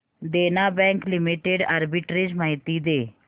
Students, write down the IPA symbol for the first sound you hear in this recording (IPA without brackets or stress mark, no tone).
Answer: d̪